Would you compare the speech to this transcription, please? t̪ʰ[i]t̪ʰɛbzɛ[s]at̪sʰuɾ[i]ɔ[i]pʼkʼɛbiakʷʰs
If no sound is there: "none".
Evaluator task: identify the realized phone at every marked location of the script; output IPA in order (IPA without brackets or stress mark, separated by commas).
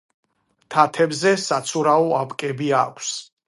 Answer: a, s, a, a